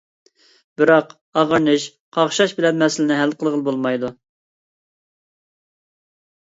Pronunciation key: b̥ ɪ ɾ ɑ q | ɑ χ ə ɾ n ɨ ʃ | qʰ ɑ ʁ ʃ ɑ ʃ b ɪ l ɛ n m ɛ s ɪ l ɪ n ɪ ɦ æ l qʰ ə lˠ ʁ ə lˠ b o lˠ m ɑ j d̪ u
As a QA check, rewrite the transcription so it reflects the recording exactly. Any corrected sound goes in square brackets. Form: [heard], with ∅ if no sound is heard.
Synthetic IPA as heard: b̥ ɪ ɾ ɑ q | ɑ [ʁ] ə ɾ n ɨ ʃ | qʰ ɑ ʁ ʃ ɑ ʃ b ɪ l ɛ n m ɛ s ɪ l ɪ n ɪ ɦ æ l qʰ ə lˠ ʁ ə lˠ b o lˠ m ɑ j d̪ u